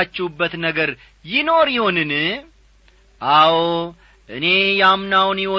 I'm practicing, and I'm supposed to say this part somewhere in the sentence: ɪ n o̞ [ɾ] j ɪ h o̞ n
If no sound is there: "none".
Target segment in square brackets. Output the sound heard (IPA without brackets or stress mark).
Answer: ɾ